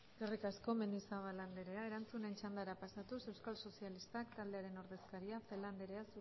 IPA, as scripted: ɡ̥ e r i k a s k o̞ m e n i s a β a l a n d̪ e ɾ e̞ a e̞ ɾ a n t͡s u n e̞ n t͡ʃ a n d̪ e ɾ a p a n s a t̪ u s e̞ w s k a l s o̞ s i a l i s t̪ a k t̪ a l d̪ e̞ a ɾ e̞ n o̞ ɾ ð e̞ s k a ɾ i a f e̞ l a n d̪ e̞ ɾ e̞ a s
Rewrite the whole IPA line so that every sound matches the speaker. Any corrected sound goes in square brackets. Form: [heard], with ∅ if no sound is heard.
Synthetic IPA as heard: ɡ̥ e r i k a s k o̞ m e n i s a β a l a n d̪ e ɾ e̞ a e̞ ɾ a n t͡s u n e̞ n t͡ʃ a n d̪ [a] ɾ a p a [∅] s a t̪ u s e̞ w s k a l s o̞ s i a l i s t̪ a k t̪ a l d̪ e̞ a ɾ e̞ n o̞ ɾ ð e̞ s k a ɾ i a f e̞ l a n d̪ e̞ ɾ e̞ a s

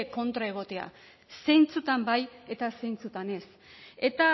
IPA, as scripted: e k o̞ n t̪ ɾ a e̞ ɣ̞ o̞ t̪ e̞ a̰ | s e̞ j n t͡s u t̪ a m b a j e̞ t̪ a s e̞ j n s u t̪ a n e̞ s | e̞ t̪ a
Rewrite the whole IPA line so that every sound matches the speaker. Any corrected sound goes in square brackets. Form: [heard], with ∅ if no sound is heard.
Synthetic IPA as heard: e k o̞ n t̪ ɾ a e̞ ɣ̞ o̞ t̪ e̞ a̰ | s e̞ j n t͡s u t̪ a m b a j e̞ t̪ a s e̞ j n [t͡s] u t̪ a n e̞ s | e̞ t̪ a

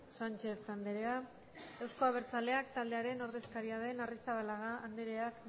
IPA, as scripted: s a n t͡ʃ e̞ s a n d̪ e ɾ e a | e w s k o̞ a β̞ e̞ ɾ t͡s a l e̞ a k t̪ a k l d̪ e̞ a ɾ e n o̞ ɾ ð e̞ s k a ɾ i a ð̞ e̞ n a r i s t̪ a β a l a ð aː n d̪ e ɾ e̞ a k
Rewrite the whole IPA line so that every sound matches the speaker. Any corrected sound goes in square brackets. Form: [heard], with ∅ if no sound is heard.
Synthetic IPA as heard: s a n t͡ʃ e̞ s a n d̪ e ɾ e a | e w s k o̞ a β̞ e̞ ɾ t͡s a l e̞ a k t̪ a [∅] l d̪ e̞ a ɾ e n o̞ ɾ ð e̞ s k a ɾ i a ð̞ e̞ n a r i s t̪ a β a l a [ɣ] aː n d̪ e ɾ e̞ a k

